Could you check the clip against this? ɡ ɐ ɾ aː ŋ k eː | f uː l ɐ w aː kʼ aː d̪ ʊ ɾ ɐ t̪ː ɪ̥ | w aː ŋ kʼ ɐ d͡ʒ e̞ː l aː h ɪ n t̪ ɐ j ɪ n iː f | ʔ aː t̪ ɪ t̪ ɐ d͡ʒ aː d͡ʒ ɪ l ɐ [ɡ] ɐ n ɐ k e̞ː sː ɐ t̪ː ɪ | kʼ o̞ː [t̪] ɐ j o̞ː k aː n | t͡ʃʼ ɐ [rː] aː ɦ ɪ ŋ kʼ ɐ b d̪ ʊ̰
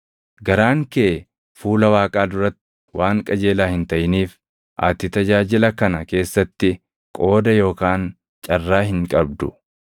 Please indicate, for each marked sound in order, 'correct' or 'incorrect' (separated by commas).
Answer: incorrect, incorrect, correct